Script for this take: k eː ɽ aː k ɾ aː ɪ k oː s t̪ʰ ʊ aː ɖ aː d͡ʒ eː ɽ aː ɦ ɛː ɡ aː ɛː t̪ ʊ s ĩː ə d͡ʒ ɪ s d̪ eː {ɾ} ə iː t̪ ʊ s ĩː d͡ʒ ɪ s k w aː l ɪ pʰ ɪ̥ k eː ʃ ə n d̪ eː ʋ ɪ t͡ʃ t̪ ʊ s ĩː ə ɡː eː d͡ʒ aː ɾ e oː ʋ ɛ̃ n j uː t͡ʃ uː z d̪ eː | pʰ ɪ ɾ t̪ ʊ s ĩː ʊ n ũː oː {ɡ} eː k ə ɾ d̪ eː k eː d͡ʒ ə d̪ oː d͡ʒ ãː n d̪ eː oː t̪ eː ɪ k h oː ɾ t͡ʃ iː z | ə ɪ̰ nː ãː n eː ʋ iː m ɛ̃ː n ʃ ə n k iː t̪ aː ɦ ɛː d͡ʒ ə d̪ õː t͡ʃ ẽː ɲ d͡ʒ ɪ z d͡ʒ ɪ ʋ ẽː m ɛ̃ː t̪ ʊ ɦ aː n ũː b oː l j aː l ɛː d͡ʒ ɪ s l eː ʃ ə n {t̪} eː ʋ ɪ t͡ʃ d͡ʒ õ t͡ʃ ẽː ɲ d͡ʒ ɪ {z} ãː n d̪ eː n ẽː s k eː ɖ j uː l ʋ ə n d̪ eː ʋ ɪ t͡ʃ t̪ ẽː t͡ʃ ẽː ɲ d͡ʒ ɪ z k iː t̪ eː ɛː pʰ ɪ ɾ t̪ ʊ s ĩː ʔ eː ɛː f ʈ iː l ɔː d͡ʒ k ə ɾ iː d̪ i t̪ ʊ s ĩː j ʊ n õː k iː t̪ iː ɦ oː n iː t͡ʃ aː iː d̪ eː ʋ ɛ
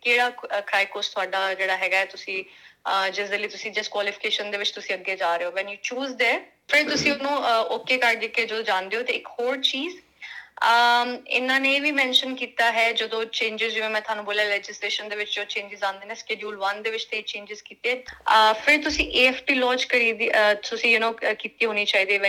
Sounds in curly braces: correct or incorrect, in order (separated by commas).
incorrect, incorrect, incorrect, correct